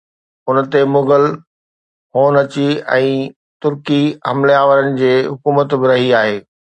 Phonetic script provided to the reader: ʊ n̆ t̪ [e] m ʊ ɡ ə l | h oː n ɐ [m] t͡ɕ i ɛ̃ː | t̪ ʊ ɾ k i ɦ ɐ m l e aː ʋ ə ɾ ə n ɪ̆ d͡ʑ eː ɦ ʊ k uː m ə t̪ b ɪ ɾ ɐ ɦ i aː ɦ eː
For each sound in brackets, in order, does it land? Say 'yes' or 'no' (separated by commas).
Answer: yes, no